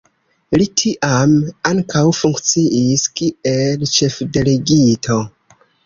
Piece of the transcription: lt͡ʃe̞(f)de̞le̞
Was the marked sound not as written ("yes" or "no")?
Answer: no